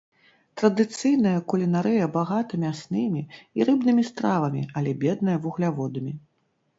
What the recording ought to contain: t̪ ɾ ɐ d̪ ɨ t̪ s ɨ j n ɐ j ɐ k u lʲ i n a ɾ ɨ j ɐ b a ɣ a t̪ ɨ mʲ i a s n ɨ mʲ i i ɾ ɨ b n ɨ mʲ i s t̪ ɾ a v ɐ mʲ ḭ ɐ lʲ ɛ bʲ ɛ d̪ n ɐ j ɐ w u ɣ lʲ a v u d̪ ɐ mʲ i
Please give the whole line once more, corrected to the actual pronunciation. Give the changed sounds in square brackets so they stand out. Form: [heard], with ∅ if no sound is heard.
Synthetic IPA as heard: t̪ ɾ ɐ d̪ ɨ t̪ s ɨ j n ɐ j ɐ k u lʲ i n a ɾ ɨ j ɐ b a ɣ a t̪ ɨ mʲ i a s n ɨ mʲ i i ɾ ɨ b n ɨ mʲ i s t̪ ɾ a v ɐ mʲ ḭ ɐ lʲ ɛ bʲ ɛ d̪ n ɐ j ɐ [v] u ɣ lʲ a v [ɔ] d̪ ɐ mʲ i